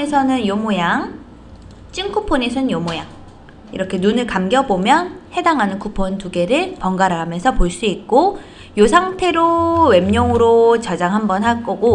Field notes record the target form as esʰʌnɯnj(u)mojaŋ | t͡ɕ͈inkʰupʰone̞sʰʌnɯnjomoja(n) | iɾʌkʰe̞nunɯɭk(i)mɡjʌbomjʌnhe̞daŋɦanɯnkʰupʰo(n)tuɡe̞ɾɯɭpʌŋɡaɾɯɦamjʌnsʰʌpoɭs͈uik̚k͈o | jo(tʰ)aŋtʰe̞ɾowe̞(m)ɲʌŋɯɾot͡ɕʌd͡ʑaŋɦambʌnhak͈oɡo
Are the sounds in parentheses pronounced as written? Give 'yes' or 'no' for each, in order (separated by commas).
no, no, no, yes, no, yes